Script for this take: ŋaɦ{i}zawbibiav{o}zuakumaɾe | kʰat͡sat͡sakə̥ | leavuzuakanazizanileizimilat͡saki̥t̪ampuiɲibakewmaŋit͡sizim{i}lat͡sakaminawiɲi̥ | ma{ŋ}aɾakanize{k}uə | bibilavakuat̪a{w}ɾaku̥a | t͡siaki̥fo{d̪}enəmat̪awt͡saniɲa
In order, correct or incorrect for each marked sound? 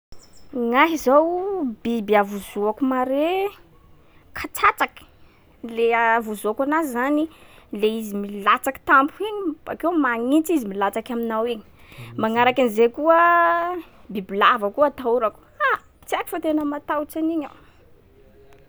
correct, incorrect, correct, correct, correct, incorrect, incorrect

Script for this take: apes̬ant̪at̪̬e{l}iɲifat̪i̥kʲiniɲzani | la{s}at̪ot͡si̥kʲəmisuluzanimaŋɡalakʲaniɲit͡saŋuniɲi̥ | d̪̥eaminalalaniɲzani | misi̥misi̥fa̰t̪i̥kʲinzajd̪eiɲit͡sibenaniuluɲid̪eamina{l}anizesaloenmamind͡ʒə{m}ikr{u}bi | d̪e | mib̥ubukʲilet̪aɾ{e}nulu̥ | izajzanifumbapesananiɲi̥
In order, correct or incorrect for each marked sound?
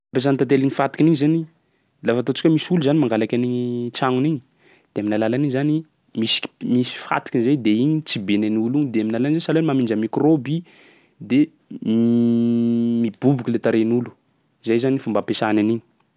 correct, incorrect, correct, correct, incorrect, correct

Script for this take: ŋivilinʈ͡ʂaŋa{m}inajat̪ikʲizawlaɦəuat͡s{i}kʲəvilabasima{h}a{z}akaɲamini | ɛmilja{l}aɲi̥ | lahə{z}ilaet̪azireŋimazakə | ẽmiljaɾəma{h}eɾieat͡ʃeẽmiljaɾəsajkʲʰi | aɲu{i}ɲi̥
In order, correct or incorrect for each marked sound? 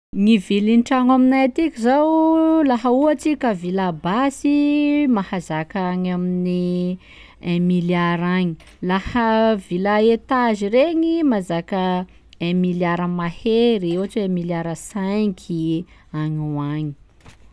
correct, correct, correct, correct, incorrect, incorrect, correct, incorrect

